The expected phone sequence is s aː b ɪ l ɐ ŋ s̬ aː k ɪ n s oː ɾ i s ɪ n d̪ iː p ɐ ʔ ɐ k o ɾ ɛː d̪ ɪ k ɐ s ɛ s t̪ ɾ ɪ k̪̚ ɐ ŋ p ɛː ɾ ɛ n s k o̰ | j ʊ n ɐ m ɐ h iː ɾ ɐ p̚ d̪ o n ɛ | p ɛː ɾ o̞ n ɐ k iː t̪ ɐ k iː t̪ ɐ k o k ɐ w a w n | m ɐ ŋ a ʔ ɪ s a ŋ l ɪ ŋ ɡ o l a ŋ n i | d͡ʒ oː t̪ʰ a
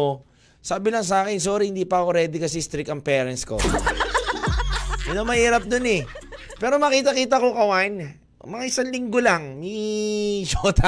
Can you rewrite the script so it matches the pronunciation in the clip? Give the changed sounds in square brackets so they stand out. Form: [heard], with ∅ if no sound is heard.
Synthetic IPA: s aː b ɪ l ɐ ŋ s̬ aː k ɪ n s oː ɾ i [h] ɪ n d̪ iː p ɐ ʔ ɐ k o ɾ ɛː d̪ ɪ k ɐ s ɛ s t̪ ɾ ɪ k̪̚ ɐ ŋ p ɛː ɾ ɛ n s k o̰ | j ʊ n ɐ m ɐ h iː ɾ ɐ p̚ d̪ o n ɛ | p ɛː ɾ o̞ [m] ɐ k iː t̪ ɐ k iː t̪ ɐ k o k ɐ w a [∅] n | m ɐ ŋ a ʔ ɪ s a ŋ l ɪ ŋ ɡ o l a ŋ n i | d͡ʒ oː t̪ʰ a